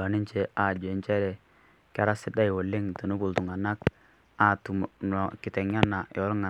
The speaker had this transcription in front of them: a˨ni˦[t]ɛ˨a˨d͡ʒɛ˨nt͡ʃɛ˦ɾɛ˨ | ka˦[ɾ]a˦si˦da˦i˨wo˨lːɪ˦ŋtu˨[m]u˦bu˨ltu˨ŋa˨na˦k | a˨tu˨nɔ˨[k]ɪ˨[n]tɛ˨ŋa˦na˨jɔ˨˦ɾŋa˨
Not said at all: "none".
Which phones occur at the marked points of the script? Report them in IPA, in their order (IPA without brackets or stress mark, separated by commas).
t͡ʃ, ɾ, n, k, none